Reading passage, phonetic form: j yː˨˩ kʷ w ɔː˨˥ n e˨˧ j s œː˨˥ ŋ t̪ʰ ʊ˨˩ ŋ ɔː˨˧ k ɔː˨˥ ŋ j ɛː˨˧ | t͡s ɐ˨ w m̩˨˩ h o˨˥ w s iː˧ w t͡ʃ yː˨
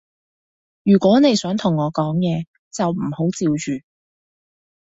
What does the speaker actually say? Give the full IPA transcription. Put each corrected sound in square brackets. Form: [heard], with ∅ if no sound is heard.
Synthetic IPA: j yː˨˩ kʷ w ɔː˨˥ n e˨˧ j s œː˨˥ ŋ t̪ʰ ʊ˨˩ ŋ ɔː˨˧ k ɔː˨˥ ŋ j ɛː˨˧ | t͡s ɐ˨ w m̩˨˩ h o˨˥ w [t͡s] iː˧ w t͡ʃ yː˨